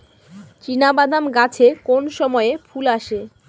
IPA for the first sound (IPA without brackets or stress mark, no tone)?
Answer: t͡ɕ